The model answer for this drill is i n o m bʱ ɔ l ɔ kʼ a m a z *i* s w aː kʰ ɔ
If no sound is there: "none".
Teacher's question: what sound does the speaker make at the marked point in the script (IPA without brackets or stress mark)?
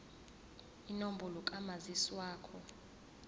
i